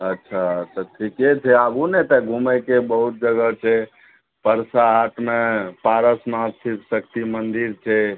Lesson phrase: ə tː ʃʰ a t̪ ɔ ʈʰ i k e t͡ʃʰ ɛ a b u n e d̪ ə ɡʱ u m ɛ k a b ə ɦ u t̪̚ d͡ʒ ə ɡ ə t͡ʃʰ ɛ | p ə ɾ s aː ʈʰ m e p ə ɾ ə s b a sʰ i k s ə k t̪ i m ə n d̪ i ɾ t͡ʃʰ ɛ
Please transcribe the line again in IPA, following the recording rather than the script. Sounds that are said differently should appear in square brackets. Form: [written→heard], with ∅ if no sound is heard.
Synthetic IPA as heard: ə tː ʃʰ a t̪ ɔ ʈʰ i k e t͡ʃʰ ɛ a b u n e [d̪→t̪] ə ɡʱ u m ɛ k [a→e] b ə ɦ u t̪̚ d͡ʒ ə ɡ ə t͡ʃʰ ɛ | p ə ɾ s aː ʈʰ m e p [ə→a] ɾ ə s [b→m] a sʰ i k s ə k t̪ i m ə n d̪ i ɾ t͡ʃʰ ɛ